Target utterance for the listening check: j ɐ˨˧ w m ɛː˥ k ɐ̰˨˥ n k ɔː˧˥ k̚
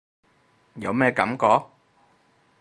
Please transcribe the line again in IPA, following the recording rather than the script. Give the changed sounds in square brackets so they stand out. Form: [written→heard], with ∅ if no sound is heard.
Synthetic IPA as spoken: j ɐ˨˧ w m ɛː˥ k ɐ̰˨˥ [n→m] k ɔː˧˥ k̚